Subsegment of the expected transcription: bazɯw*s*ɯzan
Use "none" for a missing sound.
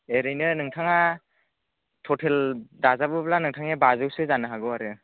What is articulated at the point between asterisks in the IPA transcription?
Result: s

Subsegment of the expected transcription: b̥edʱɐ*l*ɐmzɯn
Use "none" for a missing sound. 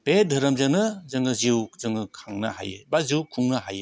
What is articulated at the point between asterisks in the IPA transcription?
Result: ɾ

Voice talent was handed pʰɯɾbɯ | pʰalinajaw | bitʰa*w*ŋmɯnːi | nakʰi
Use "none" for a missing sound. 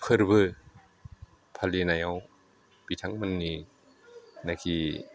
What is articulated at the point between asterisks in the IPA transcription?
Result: none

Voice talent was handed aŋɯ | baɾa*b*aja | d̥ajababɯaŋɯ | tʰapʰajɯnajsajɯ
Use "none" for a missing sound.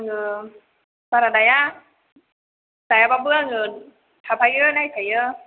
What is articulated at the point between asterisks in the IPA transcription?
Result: d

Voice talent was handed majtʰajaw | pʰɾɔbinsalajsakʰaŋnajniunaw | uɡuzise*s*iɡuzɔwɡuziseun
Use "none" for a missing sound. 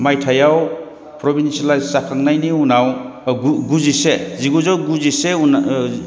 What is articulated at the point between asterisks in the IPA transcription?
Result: z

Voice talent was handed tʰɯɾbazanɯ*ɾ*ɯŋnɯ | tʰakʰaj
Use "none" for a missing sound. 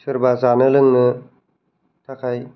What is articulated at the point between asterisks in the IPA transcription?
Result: l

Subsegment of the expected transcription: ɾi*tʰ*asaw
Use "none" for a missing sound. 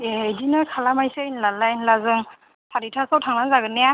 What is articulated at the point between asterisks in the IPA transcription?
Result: tʰ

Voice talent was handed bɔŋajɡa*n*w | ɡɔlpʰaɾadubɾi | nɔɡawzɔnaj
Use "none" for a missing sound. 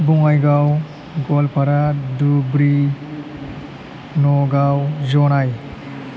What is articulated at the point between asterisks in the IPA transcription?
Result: none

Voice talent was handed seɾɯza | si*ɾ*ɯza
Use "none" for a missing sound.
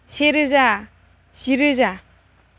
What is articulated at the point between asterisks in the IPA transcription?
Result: ɾ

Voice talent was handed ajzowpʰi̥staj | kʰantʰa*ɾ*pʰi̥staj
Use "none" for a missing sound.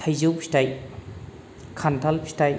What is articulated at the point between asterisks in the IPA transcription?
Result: l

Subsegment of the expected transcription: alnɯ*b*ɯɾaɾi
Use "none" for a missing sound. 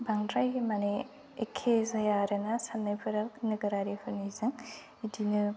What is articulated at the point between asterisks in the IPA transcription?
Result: ɡ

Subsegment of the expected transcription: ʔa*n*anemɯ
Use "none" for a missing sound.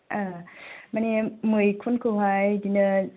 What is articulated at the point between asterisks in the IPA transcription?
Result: m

